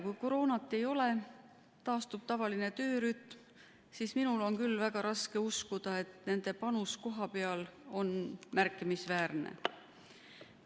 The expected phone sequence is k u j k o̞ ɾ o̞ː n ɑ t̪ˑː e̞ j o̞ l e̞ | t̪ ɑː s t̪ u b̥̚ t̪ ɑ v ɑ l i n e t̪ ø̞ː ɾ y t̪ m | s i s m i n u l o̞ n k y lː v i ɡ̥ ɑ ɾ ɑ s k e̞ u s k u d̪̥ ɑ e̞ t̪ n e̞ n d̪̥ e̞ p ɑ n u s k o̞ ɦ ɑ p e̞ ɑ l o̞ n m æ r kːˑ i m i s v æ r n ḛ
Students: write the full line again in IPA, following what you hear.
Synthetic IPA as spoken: k u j k o̞ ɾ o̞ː n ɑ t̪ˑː e̞ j o̞ l e̞ | t̪ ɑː s t̪ u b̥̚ t̪ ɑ v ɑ l i n e t̪ ø̞ː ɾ y t̪ m | s i s m i n u l o̞ n k y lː v æ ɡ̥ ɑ ɾ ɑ s k e̞ u s k u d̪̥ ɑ e̞ t̪ n e̞ n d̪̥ e̞ p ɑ n u s k o̞ ɦ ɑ p e̞ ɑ l o̞ n m æ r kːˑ i m i s v æː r n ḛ